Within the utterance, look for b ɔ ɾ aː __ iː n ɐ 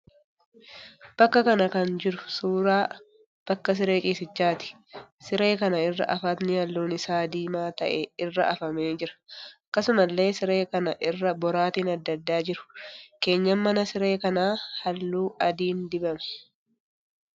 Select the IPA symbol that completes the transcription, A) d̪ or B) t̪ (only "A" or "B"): B